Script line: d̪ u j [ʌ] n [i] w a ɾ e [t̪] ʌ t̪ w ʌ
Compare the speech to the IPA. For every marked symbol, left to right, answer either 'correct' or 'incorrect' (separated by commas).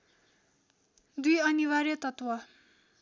correct, correct, correct